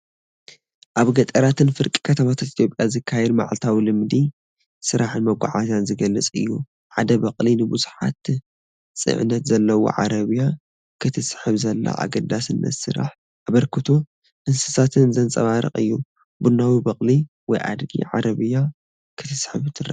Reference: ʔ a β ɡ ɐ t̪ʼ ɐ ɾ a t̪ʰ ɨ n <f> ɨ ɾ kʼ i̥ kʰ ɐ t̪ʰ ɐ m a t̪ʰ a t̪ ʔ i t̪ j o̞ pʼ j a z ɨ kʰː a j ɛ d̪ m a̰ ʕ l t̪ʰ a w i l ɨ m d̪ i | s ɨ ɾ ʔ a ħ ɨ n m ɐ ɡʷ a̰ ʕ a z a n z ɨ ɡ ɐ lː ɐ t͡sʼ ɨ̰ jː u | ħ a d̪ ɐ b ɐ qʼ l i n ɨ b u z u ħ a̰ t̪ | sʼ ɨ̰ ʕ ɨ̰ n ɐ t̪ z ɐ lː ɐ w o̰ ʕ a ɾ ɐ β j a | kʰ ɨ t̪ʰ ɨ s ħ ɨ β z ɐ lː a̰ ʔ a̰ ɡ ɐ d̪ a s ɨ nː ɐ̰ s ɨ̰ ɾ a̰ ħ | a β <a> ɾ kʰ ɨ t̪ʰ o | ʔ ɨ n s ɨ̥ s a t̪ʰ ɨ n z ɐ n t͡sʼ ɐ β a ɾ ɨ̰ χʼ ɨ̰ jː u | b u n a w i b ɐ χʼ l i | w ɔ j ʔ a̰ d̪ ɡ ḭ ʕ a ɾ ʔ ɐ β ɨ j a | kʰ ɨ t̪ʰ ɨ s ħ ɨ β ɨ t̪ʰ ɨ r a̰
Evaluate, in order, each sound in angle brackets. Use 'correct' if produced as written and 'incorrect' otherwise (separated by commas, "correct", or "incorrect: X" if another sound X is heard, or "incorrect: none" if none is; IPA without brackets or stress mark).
correct, incorrect: ɐ